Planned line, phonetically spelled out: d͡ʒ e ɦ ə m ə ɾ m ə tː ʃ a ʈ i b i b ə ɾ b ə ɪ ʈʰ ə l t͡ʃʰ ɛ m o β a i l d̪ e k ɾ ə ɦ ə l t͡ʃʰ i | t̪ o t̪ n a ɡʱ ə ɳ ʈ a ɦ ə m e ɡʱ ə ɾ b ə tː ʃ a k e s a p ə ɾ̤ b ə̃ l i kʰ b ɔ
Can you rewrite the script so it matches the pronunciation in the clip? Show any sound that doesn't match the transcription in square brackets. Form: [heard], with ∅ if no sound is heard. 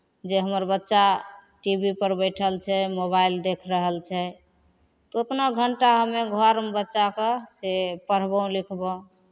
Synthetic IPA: d͡ʒ e ɦ ə m ə ɾ [b] ə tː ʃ a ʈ i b i [p] ə ɾ b ə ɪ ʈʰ ə l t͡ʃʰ ɛ m o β a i l d̪ e [kʰ] ɾ ə ɦ ə l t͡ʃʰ [ɛ] | t̪ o t̪ n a ɡʱ ə ɳ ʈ a ɦ ə m e ɡʱ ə ɾ b ə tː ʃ a k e s [e] p ə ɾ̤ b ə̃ l i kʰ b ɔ